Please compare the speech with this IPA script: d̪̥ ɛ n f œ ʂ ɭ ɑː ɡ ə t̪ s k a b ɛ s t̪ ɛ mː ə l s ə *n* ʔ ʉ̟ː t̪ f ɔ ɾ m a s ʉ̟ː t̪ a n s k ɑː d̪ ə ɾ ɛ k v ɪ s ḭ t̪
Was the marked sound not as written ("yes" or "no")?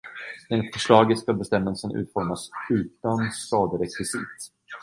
no